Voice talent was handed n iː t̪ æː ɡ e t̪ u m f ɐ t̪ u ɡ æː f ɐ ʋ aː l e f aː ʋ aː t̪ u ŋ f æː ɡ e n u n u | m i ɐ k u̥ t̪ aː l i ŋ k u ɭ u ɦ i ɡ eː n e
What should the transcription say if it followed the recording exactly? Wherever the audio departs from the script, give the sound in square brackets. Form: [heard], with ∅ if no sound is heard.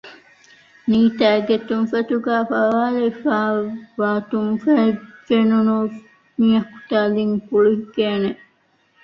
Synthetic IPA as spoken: n iː t̪ æː ɡ e t̪ u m f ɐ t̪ u ɡ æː f ɐ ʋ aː l e f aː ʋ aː t̪ u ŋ f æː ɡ e n u n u | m i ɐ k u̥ t̪ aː l i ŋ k u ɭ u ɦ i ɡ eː n e